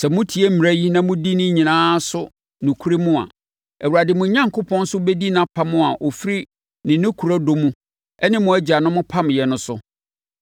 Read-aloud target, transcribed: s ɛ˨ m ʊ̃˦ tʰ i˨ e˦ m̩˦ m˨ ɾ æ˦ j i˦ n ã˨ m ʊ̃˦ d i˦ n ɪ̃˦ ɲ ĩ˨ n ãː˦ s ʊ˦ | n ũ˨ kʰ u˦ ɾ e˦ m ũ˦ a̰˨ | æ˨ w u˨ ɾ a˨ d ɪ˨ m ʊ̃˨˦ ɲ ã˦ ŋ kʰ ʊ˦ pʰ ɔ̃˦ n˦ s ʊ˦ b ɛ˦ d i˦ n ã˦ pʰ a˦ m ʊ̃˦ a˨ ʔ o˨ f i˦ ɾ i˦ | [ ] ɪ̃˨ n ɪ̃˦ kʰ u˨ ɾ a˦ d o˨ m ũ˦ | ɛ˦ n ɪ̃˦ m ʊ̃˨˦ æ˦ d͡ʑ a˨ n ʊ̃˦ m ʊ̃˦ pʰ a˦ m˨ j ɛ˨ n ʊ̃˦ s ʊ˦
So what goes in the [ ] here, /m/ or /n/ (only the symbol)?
n